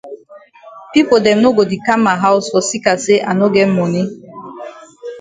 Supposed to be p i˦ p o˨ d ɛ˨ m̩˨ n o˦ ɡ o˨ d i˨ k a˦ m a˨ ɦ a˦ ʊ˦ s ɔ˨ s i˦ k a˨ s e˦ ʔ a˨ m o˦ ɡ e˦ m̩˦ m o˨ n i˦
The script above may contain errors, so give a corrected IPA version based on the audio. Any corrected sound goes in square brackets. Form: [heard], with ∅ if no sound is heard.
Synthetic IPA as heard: p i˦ p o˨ d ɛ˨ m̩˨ n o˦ ɡ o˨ d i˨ k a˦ m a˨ ɦ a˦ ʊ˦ s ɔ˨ s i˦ k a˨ s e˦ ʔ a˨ [n] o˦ ɡ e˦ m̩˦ m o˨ n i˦